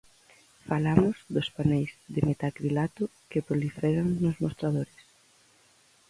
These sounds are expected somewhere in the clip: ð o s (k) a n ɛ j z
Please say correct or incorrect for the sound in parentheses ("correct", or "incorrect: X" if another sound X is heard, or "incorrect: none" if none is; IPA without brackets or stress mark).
incorrect: p